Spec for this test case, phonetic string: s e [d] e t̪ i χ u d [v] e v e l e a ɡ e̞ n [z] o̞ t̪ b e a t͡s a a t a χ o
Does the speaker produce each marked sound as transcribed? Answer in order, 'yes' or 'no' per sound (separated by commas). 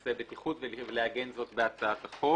no, yes, yes